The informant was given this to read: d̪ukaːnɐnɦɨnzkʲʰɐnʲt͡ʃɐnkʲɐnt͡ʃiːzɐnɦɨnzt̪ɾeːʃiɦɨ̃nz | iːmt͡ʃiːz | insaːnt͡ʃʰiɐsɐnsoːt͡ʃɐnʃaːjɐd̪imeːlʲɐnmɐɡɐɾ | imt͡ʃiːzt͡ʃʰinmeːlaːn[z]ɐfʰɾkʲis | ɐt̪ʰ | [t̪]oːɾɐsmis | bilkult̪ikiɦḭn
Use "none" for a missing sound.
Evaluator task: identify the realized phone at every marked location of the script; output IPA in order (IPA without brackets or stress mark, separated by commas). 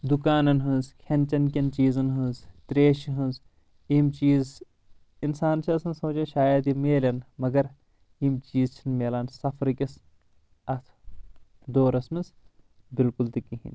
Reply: s, d̪